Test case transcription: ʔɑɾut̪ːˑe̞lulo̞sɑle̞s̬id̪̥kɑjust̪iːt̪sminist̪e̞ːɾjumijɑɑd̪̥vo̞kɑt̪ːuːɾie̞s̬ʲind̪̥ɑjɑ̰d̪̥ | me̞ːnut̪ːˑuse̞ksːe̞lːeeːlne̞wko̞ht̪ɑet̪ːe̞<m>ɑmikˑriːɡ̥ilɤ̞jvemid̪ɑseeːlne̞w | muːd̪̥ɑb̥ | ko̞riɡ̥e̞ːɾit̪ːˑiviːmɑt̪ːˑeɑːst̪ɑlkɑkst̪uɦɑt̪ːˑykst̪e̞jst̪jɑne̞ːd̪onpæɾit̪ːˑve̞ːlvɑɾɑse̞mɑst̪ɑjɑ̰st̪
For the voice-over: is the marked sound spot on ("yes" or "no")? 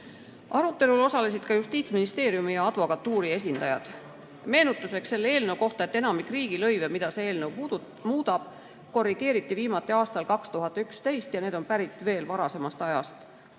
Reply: no